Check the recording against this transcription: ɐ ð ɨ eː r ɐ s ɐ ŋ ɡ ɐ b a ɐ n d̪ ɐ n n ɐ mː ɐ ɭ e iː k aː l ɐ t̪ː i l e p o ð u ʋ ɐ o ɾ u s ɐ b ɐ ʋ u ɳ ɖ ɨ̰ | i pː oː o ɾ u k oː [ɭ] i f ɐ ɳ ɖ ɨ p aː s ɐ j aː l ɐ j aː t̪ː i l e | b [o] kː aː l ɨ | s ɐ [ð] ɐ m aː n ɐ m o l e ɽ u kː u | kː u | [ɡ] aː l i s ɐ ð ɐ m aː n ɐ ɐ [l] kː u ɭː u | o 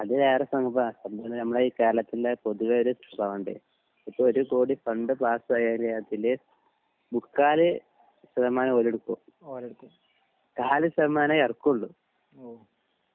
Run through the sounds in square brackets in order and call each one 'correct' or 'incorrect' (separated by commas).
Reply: incorrect, incorrect, correct, incorrect, incorrect